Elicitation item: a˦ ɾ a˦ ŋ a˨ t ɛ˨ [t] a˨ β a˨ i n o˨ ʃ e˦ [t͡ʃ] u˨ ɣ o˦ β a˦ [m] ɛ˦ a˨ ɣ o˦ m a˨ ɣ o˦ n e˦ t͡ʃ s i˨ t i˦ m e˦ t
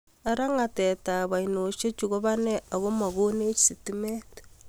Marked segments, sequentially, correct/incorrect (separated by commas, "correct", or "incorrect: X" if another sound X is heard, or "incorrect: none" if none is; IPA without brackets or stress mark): correct, correct, incorrect: n